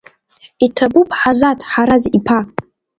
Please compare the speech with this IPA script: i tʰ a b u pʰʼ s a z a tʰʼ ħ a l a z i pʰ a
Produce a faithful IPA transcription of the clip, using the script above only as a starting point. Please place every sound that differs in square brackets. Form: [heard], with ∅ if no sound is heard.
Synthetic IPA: i tʰ a b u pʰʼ [ħ] a z a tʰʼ ħ a [ɾ] a z i pʰ a